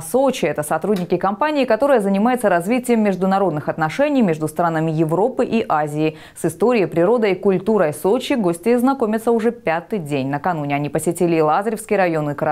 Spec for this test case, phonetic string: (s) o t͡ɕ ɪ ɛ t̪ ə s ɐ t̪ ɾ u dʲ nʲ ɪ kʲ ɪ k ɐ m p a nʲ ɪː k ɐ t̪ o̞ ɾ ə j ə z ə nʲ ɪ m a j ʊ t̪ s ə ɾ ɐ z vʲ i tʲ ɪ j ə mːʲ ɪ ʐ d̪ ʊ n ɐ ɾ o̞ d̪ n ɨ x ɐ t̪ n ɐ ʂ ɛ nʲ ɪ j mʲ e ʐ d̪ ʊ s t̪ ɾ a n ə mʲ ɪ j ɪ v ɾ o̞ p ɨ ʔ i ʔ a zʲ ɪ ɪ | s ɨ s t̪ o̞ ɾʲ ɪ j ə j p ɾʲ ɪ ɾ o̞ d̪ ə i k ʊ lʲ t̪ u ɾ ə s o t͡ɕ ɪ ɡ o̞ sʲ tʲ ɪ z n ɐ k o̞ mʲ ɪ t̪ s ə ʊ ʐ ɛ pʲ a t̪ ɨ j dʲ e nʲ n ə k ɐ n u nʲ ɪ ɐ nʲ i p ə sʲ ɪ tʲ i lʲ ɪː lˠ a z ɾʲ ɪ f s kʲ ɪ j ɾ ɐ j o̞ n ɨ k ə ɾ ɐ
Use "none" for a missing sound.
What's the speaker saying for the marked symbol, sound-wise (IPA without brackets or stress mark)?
s